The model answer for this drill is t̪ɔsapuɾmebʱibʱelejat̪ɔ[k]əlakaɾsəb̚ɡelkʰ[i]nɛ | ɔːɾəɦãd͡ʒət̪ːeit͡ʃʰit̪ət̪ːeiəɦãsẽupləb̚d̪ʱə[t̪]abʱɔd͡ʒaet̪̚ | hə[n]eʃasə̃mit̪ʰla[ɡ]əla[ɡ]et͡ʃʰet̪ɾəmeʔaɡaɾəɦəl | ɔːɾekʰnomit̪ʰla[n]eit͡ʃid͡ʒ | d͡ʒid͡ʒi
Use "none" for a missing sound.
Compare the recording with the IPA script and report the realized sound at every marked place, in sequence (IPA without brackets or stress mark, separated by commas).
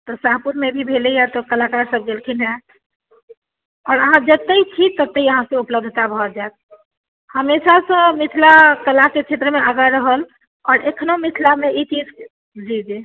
k, i, t̪, m, k, k, m